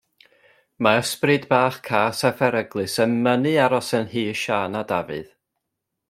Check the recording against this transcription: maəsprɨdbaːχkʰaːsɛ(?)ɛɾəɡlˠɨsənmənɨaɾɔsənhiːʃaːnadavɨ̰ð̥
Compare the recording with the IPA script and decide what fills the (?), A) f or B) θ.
A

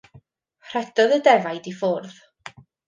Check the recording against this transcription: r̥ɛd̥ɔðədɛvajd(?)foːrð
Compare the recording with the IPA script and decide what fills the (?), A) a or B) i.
B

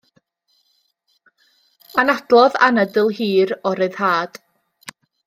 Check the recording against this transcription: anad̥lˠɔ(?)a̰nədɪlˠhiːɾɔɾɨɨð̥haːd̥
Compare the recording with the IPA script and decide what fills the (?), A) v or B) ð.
B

